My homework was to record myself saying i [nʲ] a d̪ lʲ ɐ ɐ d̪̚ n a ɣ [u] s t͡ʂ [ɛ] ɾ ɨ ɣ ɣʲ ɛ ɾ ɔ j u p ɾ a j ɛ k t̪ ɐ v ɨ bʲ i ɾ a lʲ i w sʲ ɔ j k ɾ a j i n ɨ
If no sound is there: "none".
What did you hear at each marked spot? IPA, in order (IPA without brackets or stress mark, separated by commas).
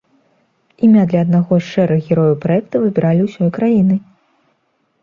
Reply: mʲ, ɔ, ɛ